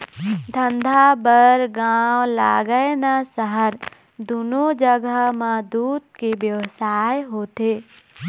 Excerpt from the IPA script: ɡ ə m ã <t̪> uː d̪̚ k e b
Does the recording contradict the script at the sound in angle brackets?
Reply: yes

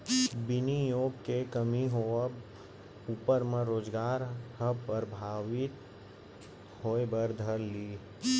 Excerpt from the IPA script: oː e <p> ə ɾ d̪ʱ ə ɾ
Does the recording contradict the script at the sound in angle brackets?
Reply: yes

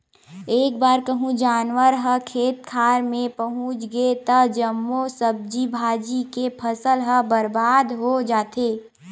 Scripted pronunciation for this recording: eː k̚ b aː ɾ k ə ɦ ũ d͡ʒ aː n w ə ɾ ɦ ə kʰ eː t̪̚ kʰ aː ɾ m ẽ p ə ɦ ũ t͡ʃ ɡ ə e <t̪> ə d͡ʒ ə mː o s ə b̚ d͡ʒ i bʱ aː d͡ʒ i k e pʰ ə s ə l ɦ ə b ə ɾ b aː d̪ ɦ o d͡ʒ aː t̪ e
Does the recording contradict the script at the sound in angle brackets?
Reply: no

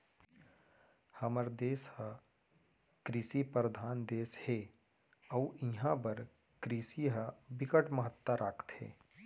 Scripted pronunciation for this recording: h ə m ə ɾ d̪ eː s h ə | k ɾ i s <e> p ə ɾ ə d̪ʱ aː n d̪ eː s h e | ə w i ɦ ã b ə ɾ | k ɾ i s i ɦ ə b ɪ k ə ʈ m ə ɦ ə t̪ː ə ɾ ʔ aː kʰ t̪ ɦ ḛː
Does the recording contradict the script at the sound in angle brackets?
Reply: yes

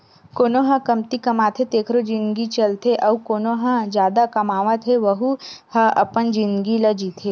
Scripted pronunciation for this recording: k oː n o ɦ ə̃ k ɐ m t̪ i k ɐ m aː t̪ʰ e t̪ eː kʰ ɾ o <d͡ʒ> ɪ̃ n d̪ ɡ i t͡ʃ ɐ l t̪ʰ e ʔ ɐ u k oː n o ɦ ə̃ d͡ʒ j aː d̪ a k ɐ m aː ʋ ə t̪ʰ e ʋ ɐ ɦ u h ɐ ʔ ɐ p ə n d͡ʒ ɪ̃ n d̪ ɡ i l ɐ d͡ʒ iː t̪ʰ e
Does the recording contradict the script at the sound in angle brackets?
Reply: no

